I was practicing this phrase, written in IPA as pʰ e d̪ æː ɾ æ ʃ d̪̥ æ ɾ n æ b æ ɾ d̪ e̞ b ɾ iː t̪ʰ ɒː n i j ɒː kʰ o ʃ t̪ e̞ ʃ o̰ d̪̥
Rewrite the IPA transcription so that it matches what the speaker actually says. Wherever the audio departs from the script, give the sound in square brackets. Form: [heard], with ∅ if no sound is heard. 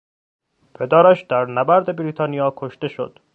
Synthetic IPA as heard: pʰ e d̪ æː ɾ æ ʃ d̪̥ æ ɾ n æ b æ ɾ d̪ e̞ b ɾ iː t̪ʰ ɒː n i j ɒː kʰ o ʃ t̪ e̞ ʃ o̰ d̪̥